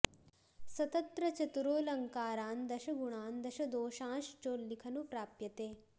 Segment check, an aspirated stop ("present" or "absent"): present